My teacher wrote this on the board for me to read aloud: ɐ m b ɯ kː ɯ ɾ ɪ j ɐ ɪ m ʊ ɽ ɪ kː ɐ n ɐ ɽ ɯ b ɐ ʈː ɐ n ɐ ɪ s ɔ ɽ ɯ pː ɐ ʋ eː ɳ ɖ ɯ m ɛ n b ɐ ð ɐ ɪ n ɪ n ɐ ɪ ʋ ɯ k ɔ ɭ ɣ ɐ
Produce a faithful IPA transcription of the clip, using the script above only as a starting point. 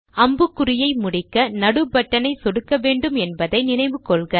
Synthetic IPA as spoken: ɐ m b ɯ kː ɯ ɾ ɪ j ɐ ɪ m ʊ ɽ ɪ kː ɐ n ɐ ɽ ɯ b ɐ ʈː ɐ n ɐ ɪ s ɔ ɽ ɯ kː ɐ ʋ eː ɳ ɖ ɯ m ɛ n b ɐ ð ɐ ɪ n ɪ n ɐ ɪ ʋ ɯ k ɔ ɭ ɣ ɐ